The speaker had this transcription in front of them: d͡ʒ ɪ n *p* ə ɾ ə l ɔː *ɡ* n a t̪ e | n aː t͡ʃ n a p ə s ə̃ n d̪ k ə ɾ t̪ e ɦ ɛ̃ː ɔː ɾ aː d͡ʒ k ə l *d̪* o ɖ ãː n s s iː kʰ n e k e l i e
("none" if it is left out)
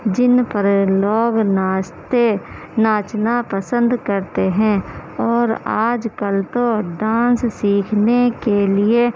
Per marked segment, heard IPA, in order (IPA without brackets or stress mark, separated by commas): p, ɡ, t̪